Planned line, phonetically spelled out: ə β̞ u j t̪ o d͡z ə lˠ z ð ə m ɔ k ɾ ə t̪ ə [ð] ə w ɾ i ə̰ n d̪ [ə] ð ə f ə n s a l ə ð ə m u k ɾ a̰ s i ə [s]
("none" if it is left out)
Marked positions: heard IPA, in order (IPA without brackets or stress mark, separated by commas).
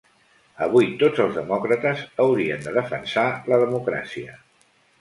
z, ə, none